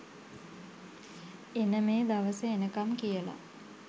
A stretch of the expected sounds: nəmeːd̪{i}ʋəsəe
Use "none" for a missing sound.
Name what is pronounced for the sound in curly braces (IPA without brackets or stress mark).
a